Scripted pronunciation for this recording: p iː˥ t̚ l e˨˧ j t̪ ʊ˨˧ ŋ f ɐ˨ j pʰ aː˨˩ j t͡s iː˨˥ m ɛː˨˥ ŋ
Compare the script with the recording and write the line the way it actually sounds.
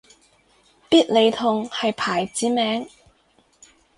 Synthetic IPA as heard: p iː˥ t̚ l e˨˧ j t̪ʰ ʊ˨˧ ŋ h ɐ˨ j pʰ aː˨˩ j t͡s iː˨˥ m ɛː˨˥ ŋ